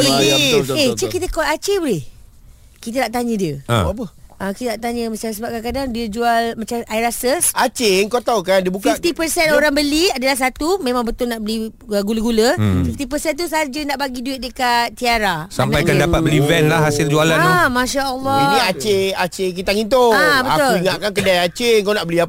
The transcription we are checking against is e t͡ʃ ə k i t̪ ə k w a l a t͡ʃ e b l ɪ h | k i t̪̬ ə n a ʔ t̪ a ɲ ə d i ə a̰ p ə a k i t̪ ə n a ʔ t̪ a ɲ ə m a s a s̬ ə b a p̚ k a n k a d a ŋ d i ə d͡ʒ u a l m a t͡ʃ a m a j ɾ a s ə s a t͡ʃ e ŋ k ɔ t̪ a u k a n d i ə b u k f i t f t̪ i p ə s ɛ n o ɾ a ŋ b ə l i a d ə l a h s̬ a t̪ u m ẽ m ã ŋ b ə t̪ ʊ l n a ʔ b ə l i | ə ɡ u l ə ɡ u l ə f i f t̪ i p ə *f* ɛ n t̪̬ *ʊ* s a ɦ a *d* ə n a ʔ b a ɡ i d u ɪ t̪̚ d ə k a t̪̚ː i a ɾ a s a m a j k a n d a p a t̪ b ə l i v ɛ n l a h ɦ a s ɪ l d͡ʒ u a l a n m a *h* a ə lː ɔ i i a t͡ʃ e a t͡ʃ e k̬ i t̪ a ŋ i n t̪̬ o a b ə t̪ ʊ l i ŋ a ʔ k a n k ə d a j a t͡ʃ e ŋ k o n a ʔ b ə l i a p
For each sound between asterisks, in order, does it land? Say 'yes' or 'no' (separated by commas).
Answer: no, no, no, no